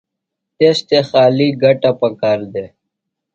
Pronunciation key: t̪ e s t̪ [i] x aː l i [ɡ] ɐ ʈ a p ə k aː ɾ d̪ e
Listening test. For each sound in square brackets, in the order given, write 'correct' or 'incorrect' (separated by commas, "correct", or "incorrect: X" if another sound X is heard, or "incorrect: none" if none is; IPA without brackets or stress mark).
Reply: incorrect: e, correct